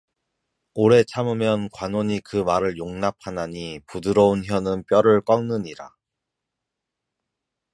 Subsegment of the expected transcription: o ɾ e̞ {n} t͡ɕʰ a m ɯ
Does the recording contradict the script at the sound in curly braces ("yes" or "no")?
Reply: yes